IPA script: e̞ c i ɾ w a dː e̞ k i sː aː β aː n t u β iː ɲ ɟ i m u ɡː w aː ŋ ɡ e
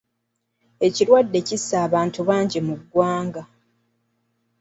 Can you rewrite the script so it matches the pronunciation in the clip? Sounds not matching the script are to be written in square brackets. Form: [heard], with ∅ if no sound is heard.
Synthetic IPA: e̞ c i ɾ w a dː e̞ [c] i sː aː β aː n t u β [aː] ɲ ɟ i m u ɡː w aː ŋ ɡ [a]